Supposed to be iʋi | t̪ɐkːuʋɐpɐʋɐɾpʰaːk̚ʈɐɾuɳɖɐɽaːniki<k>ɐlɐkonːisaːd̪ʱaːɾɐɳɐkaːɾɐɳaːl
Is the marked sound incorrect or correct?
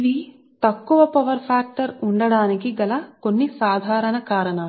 incorrect